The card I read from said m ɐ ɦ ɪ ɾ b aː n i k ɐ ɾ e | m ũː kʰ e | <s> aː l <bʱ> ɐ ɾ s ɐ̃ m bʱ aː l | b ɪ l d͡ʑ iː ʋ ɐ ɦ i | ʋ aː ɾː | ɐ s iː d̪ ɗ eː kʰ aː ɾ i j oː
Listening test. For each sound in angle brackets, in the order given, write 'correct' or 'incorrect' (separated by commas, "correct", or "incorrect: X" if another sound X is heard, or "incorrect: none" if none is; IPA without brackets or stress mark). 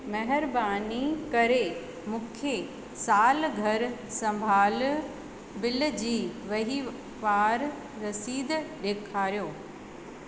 correct, incorrect: ɡʱ